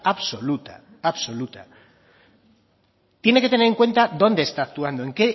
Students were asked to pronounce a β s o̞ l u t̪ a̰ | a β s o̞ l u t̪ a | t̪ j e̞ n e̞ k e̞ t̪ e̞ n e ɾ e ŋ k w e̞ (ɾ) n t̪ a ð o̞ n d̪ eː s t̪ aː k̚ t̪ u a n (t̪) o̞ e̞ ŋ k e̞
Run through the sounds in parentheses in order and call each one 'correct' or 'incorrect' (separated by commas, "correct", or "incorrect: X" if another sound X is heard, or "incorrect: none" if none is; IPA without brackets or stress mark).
incorrect: none, incorrect: d̪